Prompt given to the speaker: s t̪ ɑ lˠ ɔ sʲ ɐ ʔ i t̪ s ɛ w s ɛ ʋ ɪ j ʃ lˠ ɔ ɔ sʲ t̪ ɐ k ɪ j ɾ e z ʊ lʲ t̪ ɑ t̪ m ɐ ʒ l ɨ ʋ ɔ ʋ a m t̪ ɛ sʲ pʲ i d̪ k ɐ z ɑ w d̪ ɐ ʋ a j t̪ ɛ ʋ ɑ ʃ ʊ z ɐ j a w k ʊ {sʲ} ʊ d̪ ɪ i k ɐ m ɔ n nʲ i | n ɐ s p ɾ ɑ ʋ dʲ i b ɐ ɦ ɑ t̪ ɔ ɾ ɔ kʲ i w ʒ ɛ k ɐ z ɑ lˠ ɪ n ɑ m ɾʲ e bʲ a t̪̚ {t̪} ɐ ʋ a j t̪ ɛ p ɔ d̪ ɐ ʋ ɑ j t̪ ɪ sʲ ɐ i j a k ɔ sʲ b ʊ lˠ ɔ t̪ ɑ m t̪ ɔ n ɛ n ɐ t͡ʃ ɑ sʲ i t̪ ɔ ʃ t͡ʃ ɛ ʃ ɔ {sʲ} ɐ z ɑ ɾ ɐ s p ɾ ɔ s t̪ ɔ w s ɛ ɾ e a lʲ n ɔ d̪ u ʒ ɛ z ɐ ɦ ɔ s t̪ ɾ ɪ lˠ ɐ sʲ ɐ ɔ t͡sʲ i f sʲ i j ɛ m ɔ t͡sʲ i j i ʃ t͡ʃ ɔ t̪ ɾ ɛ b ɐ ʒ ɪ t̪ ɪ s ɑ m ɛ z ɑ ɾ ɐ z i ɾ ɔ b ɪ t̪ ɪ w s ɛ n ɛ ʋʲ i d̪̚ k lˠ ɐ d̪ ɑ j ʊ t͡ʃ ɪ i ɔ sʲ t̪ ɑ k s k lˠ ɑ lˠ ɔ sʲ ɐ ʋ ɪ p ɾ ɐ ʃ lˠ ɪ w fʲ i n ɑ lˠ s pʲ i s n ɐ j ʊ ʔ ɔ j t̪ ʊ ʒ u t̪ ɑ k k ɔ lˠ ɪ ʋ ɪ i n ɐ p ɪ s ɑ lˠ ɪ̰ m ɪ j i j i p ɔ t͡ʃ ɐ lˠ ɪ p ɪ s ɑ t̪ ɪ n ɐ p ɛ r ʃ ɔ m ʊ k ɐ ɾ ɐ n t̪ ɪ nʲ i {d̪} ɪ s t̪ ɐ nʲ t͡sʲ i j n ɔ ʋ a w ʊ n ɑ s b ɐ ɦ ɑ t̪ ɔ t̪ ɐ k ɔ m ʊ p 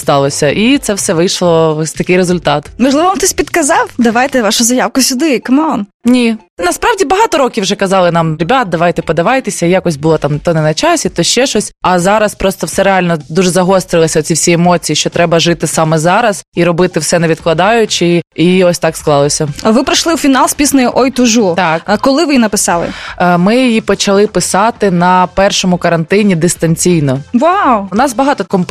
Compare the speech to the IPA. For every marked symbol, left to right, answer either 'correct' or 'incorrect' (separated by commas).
correct, incorrect, correct, correct